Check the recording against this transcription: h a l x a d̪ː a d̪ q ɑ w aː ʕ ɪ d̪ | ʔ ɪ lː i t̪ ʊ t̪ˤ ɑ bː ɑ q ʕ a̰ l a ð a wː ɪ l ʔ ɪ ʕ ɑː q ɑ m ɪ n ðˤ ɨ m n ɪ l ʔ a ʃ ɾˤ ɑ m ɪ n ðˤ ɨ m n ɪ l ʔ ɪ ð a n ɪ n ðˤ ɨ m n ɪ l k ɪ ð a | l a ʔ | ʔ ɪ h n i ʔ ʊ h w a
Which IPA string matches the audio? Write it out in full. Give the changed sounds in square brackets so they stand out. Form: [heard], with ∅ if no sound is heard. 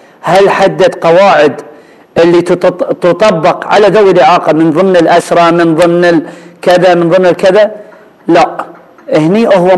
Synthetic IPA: h a l [ħ] a d̪ː a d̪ q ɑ w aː ʕ ɪ d̪ | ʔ ɪ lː i t̪ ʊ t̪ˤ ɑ bː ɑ q ʕ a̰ l a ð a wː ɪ l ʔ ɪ ʕ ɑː q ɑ m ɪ n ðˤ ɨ m n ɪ l ʔ a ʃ ɾˤ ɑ m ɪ n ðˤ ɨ m n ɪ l [k] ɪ ð a [m] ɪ n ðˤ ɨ m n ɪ l k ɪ ð a | l a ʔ | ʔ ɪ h n i ʔ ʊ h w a